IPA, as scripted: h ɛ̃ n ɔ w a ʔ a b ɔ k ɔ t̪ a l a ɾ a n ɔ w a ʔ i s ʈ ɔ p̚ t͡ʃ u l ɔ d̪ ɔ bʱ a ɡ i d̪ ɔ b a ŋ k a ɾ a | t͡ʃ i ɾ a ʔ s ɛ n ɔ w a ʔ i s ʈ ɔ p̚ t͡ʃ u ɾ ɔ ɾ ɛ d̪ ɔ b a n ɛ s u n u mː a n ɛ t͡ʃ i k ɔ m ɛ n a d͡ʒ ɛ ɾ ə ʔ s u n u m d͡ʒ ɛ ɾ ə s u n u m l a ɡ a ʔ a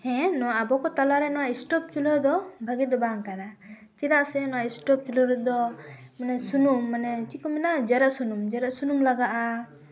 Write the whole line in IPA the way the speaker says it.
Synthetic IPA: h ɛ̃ n ɔ w a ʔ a b ɔ k ɔ t̪ a l a ɾ ɛ n ɔ w a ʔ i s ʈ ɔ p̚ t͡ʃ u l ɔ d̪ ɔ bʱ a ɡ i d̪ ɔ b a ŋ k a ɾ a | t͡ʃ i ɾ a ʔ s ɛ n ɔ w a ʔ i s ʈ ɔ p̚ t͡ʃ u l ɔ ɾ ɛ d̪ ɔ m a n ɛ s u n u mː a n ɛ t͡ʃ i k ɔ m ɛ n a d͡ʒ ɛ ɾ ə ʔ s u n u m d͡ʒ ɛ ɾ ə s u n u m l a ɡ a ʔ a

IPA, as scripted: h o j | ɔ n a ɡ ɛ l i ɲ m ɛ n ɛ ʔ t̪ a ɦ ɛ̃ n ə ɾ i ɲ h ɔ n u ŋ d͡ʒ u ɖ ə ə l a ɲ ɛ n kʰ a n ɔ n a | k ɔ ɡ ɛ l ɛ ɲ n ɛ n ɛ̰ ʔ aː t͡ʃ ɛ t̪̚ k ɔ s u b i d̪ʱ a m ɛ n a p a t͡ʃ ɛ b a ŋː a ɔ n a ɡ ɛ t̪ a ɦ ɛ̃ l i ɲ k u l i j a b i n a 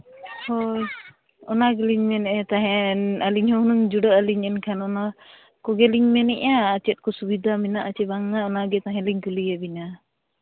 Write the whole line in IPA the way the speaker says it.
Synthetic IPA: h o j | ɔ n a ɡ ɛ l i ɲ m ɛ n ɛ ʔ t̪ a ɦ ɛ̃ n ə l i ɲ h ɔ n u ŋ d͡ʒ u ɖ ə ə l i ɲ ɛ n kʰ a n ɔ n a | k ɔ ɡ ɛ l i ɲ m ɛ n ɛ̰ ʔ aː t͡ʃ ɛ t̪̚ k ɔ s u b i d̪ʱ a m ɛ n a ʔ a t͡ʃ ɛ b a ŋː a ɔ n a ɡ ɛ t̪ a ɦ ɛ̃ l i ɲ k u l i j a b i n a

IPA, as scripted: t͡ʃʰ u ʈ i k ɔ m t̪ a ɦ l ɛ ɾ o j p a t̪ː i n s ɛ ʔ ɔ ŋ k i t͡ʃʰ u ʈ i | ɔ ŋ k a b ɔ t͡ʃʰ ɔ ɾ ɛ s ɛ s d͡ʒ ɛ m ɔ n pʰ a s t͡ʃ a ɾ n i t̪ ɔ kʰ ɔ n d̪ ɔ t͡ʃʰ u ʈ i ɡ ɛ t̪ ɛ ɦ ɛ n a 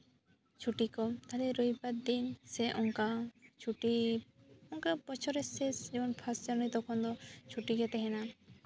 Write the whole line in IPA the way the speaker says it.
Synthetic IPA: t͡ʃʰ u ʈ i k ɔ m t̪ a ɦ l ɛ ɾ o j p a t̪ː i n s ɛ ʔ ɔ ŋ k a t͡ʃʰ u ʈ i | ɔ ŋ k a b ɔ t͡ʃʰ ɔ ɾ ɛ s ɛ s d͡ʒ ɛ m ɔ n pʰ a s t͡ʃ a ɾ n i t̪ ɔ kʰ ɔ n d̪ ɔ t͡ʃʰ u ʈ i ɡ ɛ t̪ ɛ ɦ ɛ n a

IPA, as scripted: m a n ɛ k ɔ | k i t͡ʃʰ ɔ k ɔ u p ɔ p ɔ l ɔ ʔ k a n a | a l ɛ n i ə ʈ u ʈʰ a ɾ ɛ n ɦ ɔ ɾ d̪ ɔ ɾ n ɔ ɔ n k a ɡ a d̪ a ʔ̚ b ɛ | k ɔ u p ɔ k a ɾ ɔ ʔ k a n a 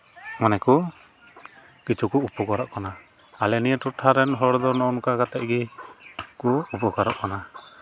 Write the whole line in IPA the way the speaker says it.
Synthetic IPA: m a n ɛ k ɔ | k i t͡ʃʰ u k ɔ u p ɔ k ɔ ɾ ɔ ʔ k a n a | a l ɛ n i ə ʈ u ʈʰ a ɾ ɛ n ɦ ɔ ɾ d̪ ɔ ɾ n ɔ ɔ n k a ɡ a t̪ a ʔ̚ ɡ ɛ | k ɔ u p ɔ k a ɾ ɔ ʔ k a n a

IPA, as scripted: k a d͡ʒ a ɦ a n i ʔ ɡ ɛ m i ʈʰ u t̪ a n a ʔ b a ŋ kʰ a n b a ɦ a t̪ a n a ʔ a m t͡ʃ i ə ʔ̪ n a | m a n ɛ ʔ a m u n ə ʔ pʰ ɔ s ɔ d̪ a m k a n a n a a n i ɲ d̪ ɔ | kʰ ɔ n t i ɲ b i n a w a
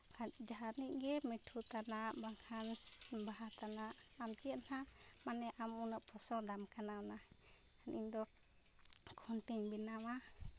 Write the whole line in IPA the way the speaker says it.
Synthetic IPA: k a d͡ʒ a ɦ a n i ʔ ɡ ɛ m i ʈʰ u t̪ a n a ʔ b a ŋ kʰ a n b a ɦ a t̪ a n a ʔ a m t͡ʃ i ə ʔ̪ n a | m a n ɛ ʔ a m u n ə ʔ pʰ ɔ s ɔ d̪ a m k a n a n a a n i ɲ d̪ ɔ | kʰ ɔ n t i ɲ b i n a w a

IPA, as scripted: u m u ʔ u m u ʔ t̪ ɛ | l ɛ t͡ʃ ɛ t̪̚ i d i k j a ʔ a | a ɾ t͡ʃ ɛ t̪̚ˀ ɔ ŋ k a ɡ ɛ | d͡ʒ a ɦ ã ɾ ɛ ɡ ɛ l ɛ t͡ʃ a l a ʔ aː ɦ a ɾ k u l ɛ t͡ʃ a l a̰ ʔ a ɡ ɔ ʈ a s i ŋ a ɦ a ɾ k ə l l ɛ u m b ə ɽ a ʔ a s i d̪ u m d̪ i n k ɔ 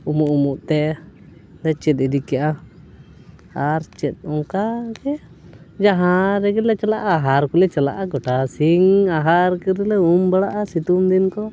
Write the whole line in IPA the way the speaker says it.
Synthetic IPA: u m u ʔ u m u ʔ t̪ ɛ | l ɛ t͡ʃ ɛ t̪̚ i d i k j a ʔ a | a ɾ t͡ʃ ɛ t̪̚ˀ ɔ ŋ k a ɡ ɛ | d͡ʒ a ɦ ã ɾ ɛ ɡ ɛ l ɛ t͡ʃ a l a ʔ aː ɦ a ɾ k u l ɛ t͡ʃ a l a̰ ʔ a ɡ ɔ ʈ a s i ŋ a ɦ a ɾ k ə ɾ l ɛ u m b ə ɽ a ʔ a s i t̪ u m d̪ i n k ɔ

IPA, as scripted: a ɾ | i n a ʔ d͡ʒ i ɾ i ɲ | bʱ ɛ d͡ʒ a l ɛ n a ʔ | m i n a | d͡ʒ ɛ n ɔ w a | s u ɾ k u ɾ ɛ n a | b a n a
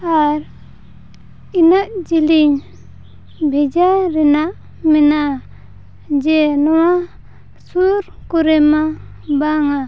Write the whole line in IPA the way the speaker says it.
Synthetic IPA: a ɾ | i n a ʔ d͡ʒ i l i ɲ | bʱ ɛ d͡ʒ a ɾ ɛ n a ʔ | m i n a | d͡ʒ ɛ n ɔ w a | s u ɾ k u ɾ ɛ m a | b a ŋ a

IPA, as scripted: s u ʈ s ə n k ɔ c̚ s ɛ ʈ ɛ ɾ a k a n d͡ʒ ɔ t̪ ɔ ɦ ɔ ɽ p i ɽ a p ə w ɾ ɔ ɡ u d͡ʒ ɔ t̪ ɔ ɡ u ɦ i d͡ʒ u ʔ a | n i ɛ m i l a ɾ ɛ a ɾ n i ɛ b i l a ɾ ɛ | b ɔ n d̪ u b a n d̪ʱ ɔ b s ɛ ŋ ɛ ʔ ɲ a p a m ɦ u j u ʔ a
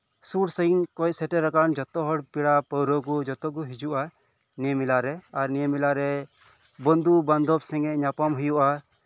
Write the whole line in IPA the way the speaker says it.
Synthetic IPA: s u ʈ s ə n k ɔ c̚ s ɛ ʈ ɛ ɾ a k a n d͡ʒ ɔ t̪ ɔ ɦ ɔ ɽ p i ɽ a p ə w ɾ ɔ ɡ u d͡ʒ ɔ t̪ ɔ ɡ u ɦ i d͡ʒ u ʔ a | n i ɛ m i l a ɾ ɛ a ɾ n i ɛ m i l a ɾ ɛ | b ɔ n d̪ u b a n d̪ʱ ɔ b s ɛ ŋ ɛ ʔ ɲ a p a m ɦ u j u ʔ a

